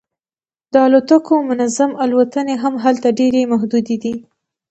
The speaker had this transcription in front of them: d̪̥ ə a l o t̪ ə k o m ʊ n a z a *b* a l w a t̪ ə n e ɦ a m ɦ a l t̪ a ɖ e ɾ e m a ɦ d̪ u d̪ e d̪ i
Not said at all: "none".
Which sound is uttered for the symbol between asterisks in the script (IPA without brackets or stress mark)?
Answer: m